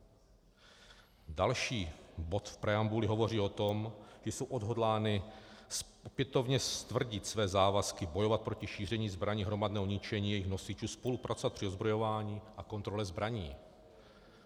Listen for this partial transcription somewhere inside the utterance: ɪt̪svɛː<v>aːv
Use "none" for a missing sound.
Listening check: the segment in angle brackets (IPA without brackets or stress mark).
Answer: z